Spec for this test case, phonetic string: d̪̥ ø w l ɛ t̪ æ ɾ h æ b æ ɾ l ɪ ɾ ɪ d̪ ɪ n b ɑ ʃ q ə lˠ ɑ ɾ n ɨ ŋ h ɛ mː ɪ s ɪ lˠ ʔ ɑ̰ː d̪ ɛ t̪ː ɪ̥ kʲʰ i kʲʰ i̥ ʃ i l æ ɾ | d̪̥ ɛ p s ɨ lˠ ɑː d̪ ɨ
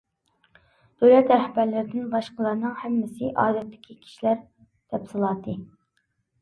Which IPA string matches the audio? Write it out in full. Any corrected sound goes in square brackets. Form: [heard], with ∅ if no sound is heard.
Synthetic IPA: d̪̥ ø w l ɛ t̪ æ ɾ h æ b æ ɾ l ɪ ɾ ɪ d̪ ɪ n b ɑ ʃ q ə lˠ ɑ ɾ n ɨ ŋ h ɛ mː ɪ s ɪ [∅] ʔ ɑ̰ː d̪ ɛ t̪ː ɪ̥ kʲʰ i kʲʰ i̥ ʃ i l æ ɾ | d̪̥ ɛ p s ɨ lˠ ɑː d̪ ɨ

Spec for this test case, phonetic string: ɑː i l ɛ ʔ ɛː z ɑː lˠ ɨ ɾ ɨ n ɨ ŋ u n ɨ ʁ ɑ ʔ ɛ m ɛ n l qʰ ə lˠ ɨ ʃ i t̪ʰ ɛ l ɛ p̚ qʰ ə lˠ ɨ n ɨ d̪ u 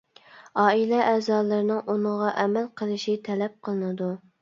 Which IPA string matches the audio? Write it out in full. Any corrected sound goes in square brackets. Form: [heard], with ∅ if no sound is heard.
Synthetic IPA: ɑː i l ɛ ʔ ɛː z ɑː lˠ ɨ ɾ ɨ n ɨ ŋ u n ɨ ʁ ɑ ʔ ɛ m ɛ [∅] l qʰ ə lˠ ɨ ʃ i t̪ʰ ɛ l ɛ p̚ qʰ ə lˠ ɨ n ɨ d̪ u

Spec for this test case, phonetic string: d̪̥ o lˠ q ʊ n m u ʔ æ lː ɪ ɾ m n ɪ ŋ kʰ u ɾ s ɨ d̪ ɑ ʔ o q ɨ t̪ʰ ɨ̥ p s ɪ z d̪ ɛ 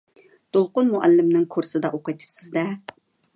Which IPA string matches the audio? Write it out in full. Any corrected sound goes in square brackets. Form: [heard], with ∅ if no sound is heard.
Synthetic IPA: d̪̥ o lˠ q ʊ n m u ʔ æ lː ɪ [∅] m n ɪ ŋ kʰ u ɾ s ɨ d̪ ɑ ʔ o q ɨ t̪ʰ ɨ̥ p s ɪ z d̪ ɛ

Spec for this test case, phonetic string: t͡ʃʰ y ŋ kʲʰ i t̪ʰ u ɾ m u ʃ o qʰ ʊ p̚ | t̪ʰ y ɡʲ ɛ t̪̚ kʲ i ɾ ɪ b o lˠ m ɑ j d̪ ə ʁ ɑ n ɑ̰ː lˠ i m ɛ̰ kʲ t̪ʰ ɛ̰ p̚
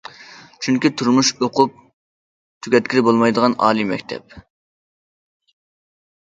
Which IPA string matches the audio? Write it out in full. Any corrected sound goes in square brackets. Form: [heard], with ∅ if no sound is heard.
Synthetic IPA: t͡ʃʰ y ŋ [kʲ] i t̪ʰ u ɾ m u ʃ o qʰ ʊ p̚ | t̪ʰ y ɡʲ ɛ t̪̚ kʲ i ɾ ɪ b o lˠ m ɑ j d̪ ə ʁ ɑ n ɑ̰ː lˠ i m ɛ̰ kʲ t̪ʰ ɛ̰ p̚

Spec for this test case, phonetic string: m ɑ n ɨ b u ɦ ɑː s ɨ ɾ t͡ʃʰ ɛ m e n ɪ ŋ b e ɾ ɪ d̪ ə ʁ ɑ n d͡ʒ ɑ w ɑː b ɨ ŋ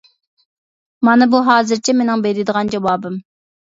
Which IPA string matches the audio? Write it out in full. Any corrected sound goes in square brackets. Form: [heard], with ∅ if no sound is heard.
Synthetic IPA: m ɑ n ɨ b u ɦ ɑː [z] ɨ ɾ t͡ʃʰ ɛ m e n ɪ ŋ b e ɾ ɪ d̪ ə ʁ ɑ n d͡ʒ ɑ w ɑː b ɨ [m]

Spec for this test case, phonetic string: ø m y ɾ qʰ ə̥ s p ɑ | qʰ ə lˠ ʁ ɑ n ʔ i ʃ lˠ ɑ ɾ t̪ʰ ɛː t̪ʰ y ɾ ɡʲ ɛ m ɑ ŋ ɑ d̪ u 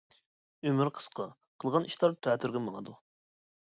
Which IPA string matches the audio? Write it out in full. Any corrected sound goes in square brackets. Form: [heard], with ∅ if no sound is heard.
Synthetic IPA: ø m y ɾ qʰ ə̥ s [q] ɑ | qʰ ə lˠ ʁ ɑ n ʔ i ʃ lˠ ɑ ɾ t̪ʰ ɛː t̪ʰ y ɾ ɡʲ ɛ m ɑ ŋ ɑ d̪ u

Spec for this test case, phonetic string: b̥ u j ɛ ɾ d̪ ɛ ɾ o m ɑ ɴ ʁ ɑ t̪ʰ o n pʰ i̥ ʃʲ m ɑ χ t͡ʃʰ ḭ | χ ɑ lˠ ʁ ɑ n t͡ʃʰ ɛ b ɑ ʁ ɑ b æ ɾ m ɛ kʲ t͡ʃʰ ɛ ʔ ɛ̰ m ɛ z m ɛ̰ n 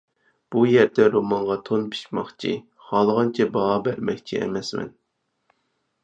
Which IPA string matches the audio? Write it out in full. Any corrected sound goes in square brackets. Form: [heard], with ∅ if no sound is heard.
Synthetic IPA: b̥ u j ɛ ɾ d̪ ɛ ɾ o m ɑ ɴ ʁ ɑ t̪ʰ o n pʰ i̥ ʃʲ m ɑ χ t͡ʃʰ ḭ | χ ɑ lˠ ʁ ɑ n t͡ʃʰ ɛ b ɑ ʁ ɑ b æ ɾ m ɛ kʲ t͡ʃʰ [i] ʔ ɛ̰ m ɛ [s] m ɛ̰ n

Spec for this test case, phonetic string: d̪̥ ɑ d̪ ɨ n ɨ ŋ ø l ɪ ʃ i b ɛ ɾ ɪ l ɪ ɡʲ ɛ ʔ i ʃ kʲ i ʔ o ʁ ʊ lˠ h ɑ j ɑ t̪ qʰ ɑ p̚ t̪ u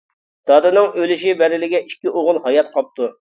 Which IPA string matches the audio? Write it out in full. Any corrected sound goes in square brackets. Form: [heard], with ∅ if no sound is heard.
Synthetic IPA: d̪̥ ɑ d̪ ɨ n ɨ ŋ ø l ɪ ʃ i b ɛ ɾ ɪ l ɪ ɡʲ ɛ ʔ i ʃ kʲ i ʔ o ʁ ʊ lˠ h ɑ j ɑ t̪ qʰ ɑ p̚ t̪ u

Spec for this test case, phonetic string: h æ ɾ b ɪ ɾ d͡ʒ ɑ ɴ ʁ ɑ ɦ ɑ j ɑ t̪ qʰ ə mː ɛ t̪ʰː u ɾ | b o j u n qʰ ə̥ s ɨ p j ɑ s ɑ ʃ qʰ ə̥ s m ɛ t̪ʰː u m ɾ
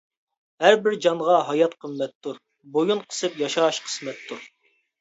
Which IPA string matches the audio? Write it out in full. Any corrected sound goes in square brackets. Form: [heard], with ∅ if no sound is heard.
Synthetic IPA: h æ ɾ b ɪ ɾ d͡ʒ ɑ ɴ ʁ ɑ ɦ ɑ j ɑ t̪ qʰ ə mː ɛ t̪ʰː u ɾ | b o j u n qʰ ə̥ s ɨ p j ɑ [ʃ] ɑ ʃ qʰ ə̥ s m ɛ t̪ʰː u [∅] ɾ

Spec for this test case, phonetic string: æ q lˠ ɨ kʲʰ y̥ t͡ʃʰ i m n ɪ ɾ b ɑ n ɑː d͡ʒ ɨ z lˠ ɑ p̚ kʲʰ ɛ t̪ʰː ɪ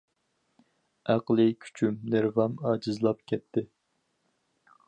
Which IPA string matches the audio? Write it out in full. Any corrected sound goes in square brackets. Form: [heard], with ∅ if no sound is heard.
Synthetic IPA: æ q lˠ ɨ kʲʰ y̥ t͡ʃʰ [y] m n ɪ ɾ [v] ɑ [m] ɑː d͡ʒ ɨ z lˠ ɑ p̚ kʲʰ ɛ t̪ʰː ɪ

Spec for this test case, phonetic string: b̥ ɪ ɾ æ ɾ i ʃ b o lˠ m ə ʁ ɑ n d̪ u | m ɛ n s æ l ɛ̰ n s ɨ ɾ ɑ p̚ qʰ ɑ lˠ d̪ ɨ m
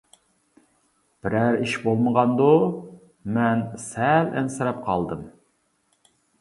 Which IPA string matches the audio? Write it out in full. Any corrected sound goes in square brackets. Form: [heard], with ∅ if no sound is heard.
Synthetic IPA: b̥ ɪ ɾ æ ɾ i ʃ b o lˠ m ə ʁ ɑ n d̪ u | m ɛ n s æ l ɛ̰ n s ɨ ɾ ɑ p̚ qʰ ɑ lˠ d̪ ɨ m

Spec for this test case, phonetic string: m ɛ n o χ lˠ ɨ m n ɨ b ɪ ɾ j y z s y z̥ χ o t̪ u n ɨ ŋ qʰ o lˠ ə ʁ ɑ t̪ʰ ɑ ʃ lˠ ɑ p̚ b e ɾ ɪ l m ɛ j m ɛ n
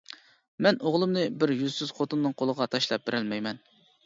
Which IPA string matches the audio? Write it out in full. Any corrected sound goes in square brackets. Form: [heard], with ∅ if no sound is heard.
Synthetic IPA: m ɛ n o [ʁ] lˠ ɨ m n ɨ b ɪ ɾ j y z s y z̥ χ o t̪ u [nː] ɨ ŋ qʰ o lˠ ə ʁ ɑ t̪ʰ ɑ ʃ lˠ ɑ p̚ b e ɾ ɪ l m ɛ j m ɛ n

